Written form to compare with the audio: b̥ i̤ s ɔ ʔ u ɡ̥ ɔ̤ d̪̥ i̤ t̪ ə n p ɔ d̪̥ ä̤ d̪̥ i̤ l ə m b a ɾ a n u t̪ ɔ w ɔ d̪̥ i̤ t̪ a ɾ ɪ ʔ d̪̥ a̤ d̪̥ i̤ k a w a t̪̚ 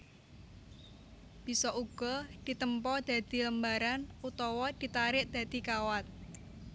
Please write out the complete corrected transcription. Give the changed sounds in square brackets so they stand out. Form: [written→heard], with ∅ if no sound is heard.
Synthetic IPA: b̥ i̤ s ɔ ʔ u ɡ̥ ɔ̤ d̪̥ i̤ t̪ ə [n→m] p ɔ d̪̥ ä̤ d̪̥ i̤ l ə m b a ɾ a n u t̪ ɔ w ɔ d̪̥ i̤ t̪ a ɾ ɪ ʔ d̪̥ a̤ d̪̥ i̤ k a w a t̪̚